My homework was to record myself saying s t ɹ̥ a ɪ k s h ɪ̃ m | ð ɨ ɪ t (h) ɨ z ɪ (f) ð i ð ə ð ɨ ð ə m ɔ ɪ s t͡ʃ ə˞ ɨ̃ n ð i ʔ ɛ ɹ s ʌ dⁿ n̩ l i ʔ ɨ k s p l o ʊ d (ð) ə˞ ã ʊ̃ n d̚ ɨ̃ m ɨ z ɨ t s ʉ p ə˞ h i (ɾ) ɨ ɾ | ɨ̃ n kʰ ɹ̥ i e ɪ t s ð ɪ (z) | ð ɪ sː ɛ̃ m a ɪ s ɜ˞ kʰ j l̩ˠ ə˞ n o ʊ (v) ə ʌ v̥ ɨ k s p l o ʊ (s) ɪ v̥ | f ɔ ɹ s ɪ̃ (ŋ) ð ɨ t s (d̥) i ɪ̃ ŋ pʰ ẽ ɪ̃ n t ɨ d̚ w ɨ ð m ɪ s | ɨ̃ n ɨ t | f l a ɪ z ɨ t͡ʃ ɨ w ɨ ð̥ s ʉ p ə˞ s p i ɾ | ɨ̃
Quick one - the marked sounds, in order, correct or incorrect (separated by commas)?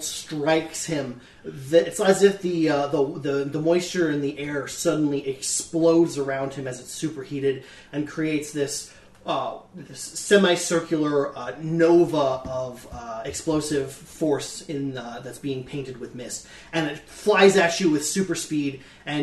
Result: incorrect, correct, incorrect, correct, incorrect, correct, correct, incorrect, incorrect